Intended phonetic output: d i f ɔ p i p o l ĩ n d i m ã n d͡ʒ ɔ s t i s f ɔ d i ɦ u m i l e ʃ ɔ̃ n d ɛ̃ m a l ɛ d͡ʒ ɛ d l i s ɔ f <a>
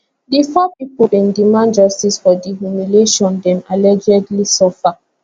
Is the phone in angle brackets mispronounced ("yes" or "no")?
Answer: no